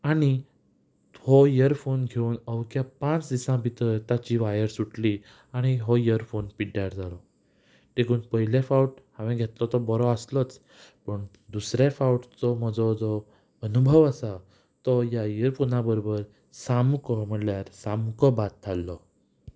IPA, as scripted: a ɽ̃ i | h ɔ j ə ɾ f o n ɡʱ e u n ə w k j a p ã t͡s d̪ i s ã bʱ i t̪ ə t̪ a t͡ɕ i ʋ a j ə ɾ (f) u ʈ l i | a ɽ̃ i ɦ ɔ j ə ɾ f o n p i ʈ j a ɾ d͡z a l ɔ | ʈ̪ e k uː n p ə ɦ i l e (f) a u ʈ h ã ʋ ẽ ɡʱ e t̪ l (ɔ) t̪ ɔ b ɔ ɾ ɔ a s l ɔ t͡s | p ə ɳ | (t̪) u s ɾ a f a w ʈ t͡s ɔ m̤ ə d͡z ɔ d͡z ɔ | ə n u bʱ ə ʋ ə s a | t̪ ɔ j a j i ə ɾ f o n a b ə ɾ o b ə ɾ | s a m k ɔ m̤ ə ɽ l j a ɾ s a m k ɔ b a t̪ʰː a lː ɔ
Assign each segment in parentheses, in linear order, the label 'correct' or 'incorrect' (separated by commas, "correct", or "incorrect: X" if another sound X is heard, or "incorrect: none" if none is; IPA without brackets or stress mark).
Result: incorrect: s, correct, correct, incorrect: d̪